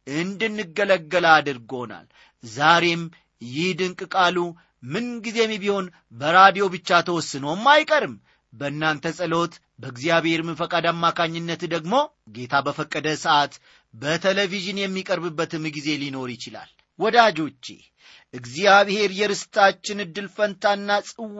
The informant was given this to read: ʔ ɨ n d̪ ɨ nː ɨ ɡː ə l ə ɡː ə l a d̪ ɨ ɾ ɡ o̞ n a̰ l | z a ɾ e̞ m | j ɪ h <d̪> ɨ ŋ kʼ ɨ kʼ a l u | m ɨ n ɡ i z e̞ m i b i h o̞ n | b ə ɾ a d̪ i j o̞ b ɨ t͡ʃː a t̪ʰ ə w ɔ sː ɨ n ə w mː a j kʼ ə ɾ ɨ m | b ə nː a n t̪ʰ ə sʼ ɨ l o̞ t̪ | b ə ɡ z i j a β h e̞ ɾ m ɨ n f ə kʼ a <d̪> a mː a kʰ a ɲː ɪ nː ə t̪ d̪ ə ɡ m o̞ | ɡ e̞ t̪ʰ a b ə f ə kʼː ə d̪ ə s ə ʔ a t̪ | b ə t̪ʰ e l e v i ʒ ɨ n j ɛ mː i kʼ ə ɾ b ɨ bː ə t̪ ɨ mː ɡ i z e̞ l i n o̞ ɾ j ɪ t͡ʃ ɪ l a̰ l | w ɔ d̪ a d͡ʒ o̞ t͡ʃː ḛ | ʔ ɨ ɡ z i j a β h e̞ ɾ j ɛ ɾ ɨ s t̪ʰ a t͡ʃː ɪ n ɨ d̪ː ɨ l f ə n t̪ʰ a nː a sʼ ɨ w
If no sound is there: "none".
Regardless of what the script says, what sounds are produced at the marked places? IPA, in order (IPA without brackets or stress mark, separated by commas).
d̪, d̪